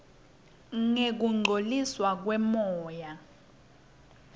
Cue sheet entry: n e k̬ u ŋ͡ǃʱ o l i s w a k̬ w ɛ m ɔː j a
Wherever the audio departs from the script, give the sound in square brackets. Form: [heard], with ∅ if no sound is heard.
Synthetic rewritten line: [ŋ] e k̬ u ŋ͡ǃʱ o l i s w a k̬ w ɛ m ɔː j a